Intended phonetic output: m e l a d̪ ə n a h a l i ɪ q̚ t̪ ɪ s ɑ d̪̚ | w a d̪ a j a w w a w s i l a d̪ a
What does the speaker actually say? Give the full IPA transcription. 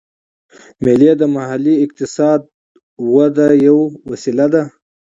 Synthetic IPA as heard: m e l e d̪ ə m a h a l i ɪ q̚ t̪ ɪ s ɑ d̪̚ | w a d̪ a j a w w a s i l a d̪ a